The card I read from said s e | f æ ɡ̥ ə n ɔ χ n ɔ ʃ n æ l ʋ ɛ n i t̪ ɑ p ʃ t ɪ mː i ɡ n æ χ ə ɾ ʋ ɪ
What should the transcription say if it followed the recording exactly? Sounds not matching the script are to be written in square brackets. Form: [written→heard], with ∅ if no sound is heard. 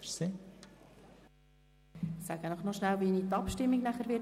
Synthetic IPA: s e | [f→s] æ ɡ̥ ə n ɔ χ n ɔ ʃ n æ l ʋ [ɛ→i] n i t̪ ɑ p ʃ t ɪ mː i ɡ n æ χ ə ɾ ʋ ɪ